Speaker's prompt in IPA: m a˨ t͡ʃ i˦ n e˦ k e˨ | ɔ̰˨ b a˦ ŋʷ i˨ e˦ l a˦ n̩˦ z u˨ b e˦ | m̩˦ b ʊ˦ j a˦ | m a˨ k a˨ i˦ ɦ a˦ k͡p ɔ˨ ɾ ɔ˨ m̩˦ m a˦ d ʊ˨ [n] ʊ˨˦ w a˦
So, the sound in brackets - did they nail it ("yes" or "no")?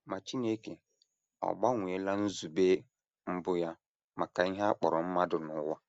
yes